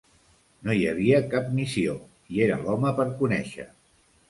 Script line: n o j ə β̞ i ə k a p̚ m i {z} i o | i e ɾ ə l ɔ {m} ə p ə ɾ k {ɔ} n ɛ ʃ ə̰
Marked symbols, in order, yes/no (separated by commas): no, yes, no